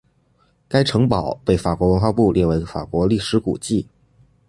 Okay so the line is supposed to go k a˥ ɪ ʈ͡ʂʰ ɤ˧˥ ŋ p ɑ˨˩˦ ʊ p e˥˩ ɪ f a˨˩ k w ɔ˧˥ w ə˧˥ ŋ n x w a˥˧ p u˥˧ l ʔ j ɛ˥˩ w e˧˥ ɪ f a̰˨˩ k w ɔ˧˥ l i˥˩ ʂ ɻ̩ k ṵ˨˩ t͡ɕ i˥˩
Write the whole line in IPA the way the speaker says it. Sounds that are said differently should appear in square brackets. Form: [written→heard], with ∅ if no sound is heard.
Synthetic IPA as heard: k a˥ ɪ ʈ͡ʂʰ ɤ˧˥ ŋ p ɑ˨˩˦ ʊ p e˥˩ ɪ f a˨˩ k w ɔ˧˥ w ə˧˥ [ŋ→∅] n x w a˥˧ p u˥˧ l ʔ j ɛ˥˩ w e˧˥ ɪ f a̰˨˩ k w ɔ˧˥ l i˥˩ ʂ ɻ̩ k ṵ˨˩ t͡ɕ i˥˩